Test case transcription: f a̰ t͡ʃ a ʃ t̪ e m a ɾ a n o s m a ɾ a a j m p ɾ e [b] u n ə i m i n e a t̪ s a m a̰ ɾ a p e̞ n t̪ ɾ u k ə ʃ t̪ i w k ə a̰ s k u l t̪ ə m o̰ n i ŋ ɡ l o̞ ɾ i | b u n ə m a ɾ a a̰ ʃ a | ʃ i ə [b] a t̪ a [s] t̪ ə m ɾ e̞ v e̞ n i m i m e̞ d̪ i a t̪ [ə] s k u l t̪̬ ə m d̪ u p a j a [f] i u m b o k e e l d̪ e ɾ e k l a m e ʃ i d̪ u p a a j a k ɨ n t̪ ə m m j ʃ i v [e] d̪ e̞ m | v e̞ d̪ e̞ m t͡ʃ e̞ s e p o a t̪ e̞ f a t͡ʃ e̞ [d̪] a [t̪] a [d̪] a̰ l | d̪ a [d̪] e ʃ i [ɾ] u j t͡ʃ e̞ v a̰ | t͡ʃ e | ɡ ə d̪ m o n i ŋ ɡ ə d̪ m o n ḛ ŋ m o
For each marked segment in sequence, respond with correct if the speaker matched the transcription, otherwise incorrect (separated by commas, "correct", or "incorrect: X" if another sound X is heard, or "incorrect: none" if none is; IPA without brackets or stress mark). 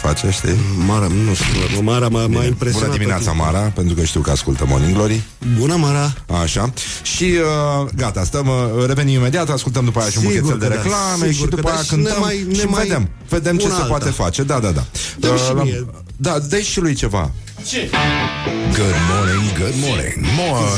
correct, incorrect: ɡ, correct, incorrect: a, incorrect: ʃ, correct, correct, incorrect: d̪, correct, correct, incorrect: l